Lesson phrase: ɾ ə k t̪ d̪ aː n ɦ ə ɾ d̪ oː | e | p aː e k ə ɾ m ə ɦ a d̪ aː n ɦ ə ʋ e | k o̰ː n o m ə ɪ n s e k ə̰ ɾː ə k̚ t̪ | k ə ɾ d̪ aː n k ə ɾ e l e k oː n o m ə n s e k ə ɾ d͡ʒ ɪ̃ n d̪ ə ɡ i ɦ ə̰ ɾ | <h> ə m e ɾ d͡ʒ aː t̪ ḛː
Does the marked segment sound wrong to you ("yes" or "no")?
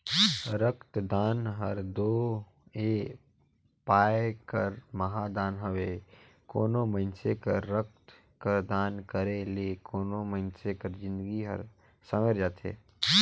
yes